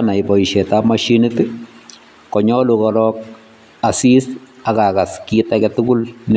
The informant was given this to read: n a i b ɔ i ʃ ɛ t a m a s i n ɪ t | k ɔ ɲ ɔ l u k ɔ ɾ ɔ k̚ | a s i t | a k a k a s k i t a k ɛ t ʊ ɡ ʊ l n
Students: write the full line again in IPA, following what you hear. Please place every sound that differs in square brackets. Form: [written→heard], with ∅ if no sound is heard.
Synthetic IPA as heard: n a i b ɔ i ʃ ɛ t a m a [s→ʃ] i n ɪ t | k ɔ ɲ ɔ l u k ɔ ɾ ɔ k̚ | a s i [t→s] | a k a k a s k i t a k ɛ t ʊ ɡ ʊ l n